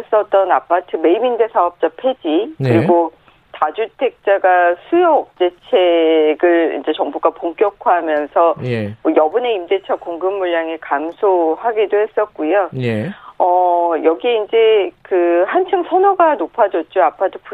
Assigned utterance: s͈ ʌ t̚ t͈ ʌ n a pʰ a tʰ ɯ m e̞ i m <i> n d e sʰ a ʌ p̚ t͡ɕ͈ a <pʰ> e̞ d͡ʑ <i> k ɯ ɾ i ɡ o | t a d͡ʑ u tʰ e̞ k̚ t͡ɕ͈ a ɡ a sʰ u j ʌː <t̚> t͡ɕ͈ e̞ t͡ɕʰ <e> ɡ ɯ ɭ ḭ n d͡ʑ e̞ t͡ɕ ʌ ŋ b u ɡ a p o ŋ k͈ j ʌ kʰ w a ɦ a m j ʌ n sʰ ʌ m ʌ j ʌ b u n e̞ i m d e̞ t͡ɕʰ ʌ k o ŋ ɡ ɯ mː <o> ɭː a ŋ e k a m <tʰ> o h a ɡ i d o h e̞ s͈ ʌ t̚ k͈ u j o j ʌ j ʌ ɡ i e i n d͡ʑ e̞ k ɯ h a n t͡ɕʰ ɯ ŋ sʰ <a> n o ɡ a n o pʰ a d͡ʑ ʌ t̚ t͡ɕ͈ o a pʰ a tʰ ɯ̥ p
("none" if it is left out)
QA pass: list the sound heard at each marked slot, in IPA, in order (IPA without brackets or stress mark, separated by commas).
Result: i, pʰ, i, k̚, e, u, sʰ, ʌ